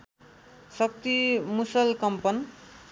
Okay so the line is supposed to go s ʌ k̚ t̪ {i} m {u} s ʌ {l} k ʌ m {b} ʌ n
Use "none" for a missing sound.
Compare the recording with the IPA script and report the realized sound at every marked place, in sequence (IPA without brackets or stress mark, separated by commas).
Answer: i, u, l, p